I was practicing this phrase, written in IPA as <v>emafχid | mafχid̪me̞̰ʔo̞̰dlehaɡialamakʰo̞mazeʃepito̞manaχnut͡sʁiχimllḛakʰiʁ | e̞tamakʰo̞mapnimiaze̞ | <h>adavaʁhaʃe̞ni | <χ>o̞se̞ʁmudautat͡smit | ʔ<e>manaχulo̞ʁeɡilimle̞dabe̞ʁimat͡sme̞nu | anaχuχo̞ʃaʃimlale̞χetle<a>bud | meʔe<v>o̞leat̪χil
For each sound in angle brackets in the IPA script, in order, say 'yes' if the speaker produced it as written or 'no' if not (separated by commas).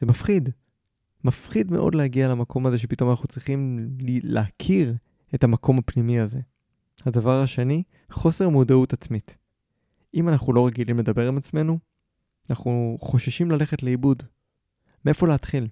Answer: no, yes, yes, no, no, no